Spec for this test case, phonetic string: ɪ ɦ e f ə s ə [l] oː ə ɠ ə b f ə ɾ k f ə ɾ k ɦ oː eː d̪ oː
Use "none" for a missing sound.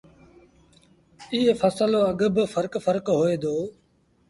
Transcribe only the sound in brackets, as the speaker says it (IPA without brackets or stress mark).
l